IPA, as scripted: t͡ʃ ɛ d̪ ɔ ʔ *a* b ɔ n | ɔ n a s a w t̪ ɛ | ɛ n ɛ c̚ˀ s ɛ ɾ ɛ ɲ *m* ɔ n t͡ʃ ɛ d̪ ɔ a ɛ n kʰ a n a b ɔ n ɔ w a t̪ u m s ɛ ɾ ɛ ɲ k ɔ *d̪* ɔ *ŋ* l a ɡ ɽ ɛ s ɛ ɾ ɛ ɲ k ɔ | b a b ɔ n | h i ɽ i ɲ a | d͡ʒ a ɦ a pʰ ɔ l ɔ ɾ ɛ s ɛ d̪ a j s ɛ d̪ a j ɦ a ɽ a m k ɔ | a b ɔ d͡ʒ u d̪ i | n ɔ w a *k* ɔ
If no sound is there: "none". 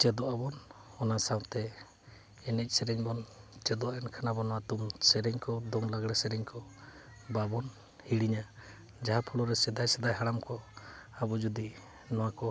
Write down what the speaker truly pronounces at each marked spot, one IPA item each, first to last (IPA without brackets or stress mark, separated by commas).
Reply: a, b, d̪, ŋ, k